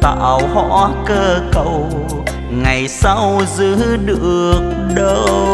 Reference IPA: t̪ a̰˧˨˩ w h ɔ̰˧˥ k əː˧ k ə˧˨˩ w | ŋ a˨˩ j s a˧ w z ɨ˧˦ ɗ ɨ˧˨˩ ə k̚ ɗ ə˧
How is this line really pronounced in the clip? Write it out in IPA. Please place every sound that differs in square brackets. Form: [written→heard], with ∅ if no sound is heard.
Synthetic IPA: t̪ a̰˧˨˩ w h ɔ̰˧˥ k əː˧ k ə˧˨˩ w | ŋ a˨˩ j s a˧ w z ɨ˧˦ ɗ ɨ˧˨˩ ə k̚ ɗ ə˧